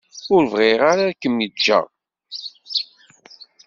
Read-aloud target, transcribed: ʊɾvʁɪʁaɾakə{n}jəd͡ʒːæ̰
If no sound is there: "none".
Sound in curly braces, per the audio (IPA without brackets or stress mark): m